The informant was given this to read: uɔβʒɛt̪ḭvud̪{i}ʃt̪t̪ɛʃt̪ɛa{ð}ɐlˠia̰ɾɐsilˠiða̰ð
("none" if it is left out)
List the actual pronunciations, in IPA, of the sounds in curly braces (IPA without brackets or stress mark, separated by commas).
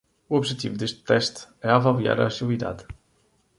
e, v